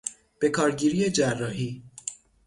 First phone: b̥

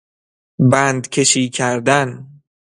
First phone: b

